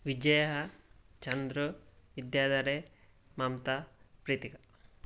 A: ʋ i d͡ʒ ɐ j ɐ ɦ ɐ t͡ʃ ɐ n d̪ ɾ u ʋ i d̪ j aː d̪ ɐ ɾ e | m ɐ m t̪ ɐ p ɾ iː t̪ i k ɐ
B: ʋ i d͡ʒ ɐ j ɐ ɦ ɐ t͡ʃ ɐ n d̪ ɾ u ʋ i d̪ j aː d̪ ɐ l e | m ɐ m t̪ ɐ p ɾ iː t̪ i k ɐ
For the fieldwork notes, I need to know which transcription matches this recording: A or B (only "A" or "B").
A